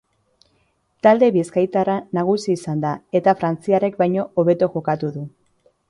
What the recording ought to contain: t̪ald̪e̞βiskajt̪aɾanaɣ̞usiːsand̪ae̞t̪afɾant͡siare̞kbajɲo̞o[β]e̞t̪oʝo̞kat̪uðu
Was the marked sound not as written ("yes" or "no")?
no